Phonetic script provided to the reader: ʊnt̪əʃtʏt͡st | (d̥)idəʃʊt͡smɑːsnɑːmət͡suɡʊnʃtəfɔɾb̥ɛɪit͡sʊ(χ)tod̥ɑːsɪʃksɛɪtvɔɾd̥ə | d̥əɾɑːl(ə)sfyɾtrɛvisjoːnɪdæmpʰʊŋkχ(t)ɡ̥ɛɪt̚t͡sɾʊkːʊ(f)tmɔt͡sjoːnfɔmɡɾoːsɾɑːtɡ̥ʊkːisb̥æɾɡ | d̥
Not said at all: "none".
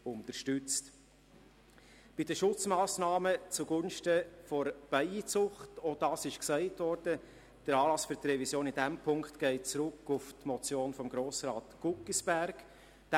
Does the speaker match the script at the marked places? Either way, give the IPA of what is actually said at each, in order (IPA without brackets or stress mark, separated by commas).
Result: b̥, χ, ɑ, t, f